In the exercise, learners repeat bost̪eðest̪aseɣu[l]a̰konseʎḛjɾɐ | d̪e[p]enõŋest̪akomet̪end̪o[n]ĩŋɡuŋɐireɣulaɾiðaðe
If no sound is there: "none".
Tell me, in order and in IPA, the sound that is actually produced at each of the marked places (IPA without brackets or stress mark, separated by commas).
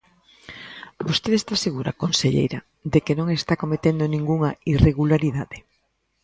ɾ, k, n